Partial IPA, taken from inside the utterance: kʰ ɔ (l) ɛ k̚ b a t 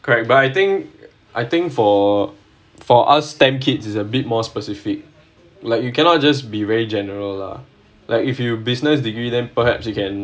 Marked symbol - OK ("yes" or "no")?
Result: no